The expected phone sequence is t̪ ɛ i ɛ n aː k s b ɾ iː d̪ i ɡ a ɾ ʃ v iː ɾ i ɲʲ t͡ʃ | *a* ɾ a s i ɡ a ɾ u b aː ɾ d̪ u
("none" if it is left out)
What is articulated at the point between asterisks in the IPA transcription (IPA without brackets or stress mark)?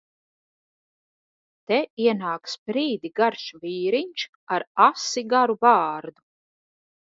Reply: a